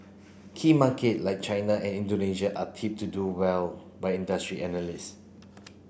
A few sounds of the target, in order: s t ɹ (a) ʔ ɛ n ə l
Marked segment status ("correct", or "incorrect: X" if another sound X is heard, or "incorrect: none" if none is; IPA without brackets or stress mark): incorrect: i